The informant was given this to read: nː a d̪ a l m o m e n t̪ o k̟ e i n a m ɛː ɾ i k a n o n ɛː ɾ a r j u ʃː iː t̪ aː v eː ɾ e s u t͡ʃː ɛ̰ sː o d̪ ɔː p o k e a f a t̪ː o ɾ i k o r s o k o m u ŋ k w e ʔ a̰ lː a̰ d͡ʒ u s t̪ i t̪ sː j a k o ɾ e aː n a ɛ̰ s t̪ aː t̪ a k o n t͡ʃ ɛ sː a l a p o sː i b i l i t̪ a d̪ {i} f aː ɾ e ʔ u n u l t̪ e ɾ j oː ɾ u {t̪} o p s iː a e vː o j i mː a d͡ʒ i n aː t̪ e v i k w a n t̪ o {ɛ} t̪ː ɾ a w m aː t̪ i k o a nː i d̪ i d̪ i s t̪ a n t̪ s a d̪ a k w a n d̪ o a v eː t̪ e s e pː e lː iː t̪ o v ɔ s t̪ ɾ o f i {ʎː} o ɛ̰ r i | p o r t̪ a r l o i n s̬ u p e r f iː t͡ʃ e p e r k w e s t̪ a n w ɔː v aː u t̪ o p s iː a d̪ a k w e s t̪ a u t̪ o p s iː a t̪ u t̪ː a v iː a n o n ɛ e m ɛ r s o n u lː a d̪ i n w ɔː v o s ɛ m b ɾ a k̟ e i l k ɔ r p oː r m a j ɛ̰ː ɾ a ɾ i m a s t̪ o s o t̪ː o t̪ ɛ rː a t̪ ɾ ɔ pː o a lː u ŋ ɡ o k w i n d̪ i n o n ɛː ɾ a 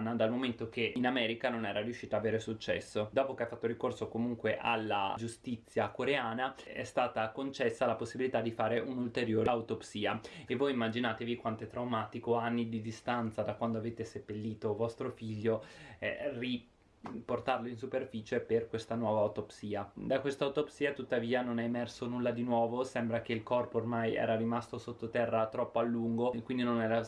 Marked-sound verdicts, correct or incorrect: correct, correct, correct, correct

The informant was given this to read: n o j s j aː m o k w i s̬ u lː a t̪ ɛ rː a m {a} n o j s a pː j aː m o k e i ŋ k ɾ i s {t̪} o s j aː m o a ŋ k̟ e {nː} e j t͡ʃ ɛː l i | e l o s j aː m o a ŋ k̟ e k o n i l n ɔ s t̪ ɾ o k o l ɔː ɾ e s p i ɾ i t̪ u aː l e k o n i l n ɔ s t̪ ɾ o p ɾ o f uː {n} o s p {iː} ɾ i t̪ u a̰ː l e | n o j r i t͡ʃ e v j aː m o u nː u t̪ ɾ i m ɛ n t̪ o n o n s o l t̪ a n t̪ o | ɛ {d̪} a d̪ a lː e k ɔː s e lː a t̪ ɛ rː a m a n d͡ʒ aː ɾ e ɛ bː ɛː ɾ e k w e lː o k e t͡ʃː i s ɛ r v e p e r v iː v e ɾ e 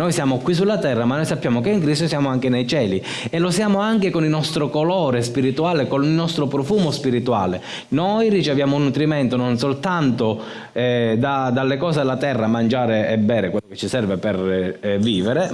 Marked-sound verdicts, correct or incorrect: correct, correct, incorrect, incorrect, incorrect, correct

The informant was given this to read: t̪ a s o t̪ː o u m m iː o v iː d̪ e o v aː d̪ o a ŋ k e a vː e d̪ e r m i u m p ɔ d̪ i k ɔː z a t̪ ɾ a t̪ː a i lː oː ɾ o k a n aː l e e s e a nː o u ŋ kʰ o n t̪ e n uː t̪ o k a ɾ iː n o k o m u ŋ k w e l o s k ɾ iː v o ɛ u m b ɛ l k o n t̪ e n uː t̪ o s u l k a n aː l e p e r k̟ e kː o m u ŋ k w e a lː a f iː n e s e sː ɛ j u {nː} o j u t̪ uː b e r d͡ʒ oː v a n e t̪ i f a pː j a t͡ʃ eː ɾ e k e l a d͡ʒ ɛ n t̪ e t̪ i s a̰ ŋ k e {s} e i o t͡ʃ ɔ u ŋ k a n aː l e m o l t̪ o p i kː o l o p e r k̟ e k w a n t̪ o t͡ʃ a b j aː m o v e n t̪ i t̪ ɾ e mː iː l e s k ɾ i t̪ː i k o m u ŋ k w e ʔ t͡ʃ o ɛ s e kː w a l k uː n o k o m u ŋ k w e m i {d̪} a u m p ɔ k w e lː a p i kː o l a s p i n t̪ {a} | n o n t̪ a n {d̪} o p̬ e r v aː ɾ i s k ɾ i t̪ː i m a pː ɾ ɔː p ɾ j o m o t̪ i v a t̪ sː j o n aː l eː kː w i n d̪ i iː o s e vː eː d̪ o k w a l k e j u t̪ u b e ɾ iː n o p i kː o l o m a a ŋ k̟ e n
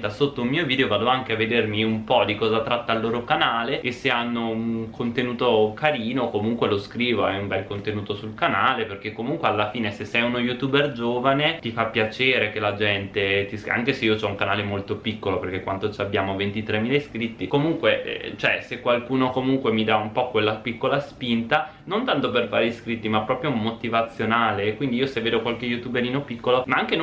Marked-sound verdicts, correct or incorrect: incorrect, correct, correct, correct, incorrect

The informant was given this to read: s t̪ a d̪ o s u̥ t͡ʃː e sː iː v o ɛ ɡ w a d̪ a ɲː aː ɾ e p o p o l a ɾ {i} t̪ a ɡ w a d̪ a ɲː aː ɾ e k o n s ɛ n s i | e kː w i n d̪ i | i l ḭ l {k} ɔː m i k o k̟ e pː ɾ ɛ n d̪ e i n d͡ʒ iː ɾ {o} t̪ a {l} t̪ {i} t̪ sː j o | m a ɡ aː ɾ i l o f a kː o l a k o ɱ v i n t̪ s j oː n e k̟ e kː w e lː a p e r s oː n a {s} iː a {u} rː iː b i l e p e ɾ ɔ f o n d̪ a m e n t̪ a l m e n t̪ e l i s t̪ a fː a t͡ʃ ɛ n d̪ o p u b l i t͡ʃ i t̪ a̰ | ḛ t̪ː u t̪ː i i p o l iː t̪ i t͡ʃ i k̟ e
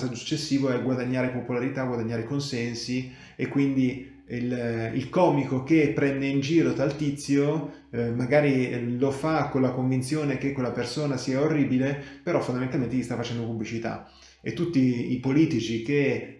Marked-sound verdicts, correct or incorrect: correct, correct, correct, correct, correct, correct, incorrect

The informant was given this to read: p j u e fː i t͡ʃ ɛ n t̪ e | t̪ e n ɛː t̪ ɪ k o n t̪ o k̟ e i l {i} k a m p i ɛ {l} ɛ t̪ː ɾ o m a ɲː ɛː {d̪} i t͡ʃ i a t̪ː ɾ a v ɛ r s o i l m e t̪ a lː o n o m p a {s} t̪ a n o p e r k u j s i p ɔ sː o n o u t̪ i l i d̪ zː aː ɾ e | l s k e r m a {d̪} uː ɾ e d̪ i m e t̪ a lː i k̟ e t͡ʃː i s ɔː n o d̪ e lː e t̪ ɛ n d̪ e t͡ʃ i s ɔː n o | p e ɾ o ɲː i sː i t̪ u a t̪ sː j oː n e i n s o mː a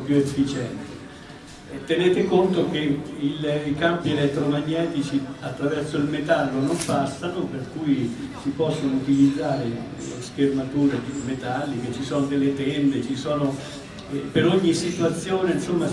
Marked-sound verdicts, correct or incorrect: correct, correct, incorrect, correct, incorrect

